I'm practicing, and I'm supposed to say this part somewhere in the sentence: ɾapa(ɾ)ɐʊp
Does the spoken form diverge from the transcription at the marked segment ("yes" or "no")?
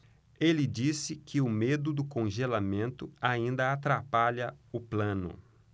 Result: yes